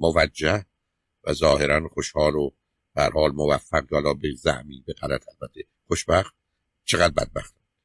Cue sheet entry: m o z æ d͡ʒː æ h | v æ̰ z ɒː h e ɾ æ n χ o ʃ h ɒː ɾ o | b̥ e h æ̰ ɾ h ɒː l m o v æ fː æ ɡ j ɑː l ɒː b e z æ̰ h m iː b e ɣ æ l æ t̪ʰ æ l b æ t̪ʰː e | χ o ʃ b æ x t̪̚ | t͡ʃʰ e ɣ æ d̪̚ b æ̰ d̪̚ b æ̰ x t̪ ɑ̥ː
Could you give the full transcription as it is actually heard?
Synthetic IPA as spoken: m o v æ d͡ʒː æ h | v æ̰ z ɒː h e ɾ æ n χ o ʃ h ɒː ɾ o | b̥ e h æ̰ ɾ h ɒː l m o v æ fː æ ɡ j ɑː l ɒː b e z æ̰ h m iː b e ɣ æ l æ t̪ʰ æ l b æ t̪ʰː e | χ o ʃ b æ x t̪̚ | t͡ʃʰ e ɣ æ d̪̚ b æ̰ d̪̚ b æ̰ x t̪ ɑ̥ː